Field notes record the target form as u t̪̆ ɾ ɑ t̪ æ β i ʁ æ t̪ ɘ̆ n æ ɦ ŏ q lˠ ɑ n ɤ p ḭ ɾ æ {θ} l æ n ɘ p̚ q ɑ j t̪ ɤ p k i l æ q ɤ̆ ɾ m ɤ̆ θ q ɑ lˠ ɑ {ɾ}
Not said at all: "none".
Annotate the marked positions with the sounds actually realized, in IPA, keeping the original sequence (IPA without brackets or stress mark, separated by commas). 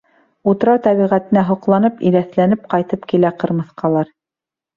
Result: θ, ɾ